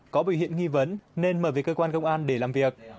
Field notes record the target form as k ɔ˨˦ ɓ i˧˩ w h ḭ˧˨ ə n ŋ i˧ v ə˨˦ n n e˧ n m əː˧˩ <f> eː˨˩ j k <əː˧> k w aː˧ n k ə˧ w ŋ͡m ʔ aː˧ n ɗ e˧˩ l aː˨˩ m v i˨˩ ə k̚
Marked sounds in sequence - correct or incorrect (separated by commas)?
incorrect, correct